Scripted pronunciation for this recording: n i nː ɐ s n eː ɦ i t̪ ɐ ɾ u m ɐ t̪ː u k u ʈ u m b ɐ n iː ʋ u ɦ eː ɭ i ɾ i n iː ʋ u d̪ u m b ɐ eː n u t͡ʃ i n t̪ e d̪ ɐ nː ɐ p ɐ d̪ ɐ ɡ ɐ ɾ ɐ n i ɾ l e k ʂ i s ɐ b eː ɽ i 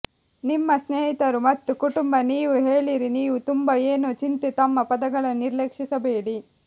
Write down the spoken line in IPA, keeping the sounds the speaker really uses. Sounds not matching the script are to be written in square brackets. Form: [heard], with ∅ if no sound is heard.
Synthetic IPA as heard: n i [mː] ɐ s n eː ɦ i t̪ ɐ ɾ u m ɐ t̪ː u k u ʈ u m b ɐ n iː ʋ u ɦ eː ɭ i ɾ i n iː ʋ u [t̪] u m b ɐ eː n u t͡ʃ i n t̪ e [t̪] ɐ [mː] ɐ p ɐ d̪ ɐ ɡ ɐ [ɭ] ɐ n i ɾ l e k ʂ i s ɐ b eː ɽ i